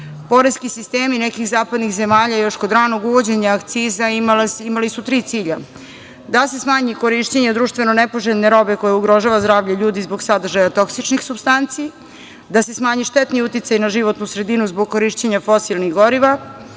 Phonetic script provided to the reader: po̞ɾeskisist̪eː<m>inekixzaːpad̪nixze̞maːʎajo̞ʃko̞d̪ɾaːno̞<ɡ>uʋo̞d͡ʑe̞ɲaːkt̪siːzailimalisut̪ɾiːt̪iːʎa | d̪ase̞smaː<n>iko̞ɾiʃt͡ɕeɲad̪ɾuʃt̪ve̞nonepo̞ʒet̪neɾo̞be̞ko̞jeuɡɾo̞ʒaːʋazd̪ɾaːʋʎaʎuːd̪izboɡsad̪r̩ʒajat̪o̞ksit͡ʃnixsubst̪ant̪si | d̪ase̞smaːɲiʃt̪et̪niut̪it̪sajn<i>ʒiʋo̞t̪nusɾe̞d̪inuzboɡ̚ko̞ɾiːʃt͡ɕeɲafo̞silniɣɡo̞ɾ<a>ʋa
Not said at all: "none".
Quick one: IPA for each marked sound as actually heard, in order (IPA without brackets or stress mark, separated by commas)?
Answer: m, ɡ, ɲ, a, i